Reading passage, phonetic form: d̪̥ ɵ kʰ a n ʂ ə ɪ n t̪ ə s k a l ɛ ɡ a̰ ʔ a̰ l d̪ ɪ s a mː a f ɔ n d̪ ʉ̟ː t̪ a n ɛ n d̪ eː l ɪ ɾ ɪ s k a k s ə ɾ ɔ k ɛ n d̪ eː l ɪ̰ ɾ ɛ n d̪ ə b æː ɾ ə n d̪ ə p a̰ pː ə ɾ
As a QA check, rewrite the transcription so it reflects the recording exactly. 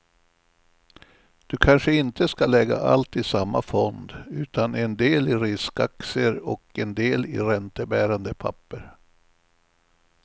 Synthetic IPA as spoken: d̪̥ ɵ kʰ a n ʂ ə ɪ n t̪ ə s k a l ɛ ɡ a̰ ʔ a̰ l t̪ ɪ s a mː a f ɔ n d̪ ʉ̟ː t̪ a n ɛ n d̪ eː l ɪ ɾ ɪ s k a k s ə ɾ ɔ k ɛ n d̪ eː l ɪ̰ ɾ ɛ n t̪ ə b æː ɾ a n d̪ ə pʰ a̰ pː ə ɾ

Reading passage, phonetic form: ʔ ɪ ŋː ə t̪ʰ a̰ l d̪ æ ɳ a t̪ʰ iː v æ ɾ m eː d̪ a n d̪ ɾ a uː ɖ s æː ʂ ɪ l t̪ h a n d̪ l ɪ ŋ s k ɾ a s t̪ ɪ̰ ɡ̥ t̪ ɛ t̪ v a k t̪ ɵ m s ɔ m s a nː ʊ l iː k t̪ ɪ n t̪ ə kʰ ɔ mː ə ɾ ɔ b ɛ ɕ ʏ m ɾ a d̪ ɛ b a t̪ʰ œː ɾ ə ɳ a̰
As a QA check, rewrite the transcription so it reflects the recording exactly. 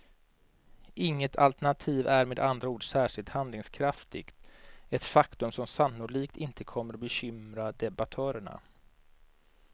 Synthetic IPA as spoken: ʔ ɪ ŋː ə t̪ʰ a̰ l t̪ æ ɳ a t̪ʰ iː v æ ɾ m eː d̪ a n d̪ ɾ a uː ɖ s æː ʂ ɪ l t̪ h a n d̪ l ɪ ŋ s kʰ ɾ a f t̪ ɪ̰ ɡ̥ t̪ ɛ t̪ f a k t̪ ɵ m s ɔ m s a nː ʊ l iː k t̪ ɪ n t̪ ə kʰ ɔ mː ə ɾ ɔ b ɛ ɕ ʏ m ɾ a d̪ ɛ b a t̪ʰ œː ɾ ə ɳ a̰

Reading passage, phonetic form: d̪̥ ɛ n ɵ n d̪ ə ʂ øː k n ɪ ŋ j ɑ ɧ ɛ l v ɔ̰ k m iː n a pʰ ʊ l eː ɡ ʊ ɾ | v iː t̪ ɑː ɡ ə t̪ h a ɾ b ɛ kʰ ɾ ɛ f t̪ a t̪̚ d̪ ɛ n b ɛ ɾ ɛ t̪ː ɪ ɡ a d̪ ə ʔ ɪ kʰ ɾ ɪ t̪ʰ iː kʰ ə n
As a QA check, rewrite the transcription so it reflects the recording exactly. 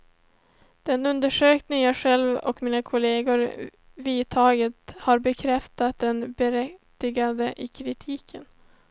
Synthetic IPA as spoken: d̪̥ ɛ n ɵ n d̪ ə ʂ øː k n ɪ ŋ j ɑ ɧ ɛ l v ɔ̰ k m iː n a kʰ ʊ l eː ɡ ʊ ɾ | v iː t̪ʰ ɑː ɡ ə t̪ h a ɾ b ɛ kʰ ɾ ɛ f t̪ a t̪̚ d̪ ɛ n b ɛ ɾ ɛ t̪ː ɪ ɡ a d̪ ə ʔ ɪ kʰ ɾ ɪ t̪ʰ iː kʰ ə n

